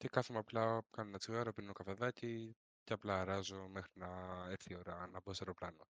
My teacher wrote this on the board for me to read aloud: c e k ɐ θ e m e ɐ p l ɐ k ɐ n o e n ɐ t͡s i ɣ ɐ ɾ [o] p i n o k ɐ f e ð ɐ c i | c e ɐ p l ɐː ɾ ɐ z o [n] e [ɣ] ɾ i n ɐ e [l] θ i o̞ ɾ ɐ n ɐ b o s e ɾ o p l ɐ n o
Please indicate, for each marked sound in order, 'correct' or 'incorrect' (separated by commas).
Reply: correct, incorrect, incorrect, incorrect